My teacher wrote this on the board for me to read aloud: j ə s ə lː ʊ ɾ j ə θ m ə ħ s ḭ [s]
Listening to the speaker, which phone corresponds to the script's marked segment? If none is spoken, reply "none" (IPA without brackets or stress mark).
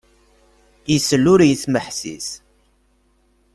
s